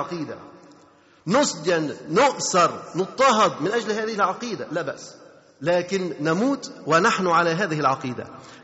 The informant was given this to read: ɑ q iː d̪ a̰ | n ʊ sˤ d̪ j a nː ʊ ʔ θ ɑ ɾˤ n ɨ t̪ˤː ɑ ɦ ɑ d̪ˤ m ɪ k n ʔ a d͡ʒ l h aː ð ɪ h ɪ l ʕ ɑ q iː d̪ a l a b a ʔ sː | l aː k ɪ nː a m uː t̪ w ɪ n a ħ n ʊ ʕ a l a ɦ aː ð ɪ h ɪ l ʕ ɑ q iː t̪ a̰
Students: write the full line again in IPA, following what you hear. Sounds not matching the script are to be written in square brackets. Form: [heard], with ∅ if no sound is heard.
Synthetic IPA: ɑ q iː d̪ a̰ | n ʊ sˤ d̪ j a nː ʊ ʔ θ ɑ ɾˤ n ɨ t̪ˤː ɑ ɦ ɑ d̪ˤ m ɪ [∅] n ʔ a d͡ʒ l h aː ð ɪ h ɪ l ʕ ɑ q iː d̪ a l a b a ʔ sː | l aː k ɪ nː a m uː t̪ w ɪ n a ħ n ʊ ʕ a l a ɦ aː ð ɪ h ɪ l ʕ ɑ q iː [d̪] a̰